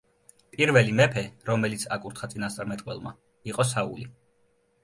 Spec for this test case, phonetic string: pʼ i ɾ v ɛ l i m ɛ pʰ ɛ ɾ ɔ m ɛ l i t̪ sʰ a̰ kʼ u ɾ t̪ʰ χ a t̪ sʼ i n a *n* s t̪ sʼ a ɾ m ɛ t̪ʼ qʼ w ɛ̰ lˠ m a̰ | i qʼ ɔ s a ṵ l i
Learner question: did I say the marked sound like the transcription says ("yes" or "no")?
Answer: no